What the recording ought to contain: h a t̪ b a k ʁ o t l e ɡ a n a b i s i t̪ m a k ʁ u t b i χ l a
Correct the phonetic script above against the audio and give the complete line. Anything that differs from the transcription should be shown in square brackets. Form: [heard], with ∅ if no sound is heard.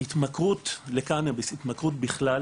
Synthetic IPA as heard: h [i] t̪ [m] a k ʁ [u] t l e [k] a n a b i s i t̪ m a k ʁ u t b i χ l a